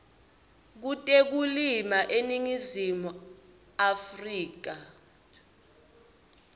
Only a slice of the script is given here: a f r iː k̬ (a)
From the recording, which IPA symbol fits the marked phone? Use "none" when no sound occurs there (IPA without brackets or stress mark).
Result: a